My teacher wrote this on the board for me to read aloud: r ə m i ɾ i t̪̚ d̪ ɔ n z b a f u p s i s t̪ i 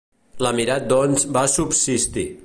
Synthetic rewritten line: l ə m i ɾ a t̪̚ d̪ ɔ n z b a s u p s i s t̪ i